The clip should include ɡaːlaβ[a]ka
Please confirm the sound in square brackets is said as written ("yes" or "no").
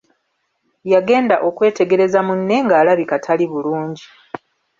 no